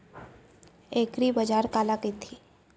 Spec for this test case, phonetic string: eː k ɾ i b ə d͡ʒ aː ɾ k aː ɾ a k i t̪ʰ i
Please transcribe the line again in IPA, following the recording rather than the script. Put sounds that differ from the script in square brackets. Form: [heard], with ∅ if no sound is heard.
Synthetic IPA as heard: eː k ɾ i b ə d͡ʒ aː ɾ k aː [l] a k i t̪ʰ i